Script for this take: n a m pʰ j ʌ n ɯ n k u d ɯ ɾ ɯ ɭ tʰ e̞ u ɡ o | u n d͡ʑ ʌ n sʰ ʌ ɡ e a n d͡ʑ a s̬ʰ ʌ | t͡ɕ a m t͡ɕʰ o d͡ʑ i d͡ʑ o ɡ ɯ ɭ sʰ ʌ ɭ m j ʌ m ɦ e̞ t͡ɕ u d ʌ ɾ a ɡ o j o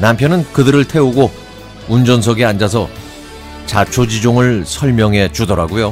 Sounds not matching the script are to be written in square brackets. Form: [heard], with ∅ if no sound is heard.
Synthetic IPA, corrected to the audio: n a m pʰ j ʌ n ɯ n k [ɯ] d ɯ ɾ ɯ ɭ tʰ e̞ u ɡ o | u n d͡ʑ ʌ n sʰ ʌ ɡ e a n d͡ʑ a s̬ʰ ʌ | t͡ɕ a [∅] t͡ɕʰ o d͡ʑ i d͡ʑ o [ŋ] ɯ ɭ sʰ ʌ ɭ m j ʌ [ŋ] ɦ e̞ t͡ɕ u d ʌ ɾ a ɡ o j o